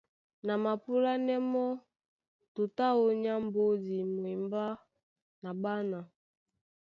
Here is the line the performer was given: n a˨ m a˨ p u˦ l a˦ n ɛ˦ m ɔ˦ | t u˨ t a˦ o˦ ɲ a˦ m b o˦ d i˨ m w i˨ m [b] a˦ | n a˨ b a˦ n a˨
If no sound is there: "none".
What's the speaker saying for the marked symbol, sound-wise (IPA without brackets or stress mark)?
b